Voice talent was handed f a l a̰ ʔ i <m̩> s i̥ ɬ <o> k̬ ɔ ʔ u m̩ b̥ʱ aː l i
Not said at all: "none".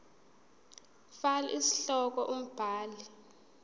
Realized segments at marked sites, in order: none, ɔ

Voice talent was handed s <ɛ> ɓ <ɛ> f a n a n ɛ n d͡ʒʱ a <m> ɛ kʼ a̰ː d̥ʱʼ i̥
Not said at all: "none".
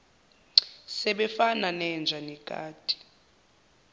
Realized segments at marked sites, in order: ɛ, ɛ, n

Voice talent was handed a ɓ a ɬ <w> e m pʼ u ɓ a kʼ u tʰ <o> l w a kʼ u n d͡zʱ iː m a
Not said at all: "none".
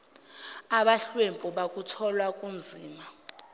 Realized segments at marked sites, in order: w, ɔ

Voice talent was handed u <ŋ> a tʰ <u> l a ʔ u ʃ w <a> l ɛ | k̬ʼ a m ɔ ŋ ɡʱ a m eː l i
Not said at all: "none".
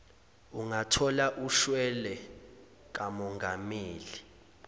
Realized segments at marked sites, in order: ŋ, ɔ, ɛ

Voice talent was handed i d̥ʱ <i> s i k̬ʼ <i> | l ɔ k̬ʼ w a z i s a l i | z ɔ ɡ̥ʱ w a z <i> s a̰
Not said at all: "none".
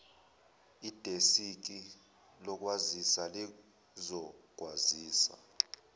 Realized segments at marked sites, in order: e, i, iː

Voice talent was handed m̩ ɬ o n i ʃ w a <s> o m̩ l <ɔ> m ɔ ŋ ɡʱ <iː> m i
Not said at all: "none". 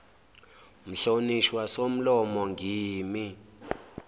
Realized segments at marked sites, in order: s, ɔ, iː

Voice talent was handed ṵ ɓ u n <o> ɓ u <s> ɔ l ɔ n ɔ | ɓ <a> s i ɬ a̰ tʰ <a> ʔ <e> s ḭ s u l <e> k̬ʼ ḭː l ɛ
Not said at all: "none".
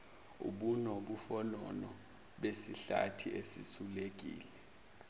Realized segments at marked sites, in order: o, f, e, i, e, e

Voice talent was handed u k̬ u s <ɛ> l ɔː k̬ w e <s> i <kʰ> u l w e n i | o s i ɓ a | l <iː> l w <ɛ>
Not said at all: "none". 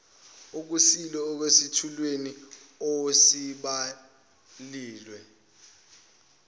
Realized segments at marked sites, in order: i, s, tʰ, iː, ɛ

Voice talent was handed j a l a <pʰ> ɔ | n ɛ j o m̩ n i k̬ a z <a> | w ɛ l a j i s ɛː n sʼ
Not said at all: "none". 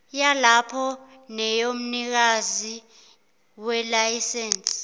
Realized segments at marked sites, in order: pʰ, i

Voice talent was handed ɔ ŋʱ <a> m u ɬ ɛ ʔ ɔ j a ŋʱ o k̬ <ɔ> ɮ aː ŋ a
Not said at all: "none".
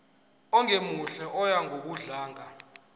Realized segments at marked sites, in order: e, u

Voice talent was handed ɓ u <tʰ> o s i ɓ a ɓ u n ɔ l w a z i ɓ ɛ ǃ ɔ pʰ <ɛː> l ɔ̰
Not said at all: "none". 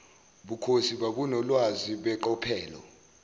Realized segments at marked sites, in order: kʰ, ɛː

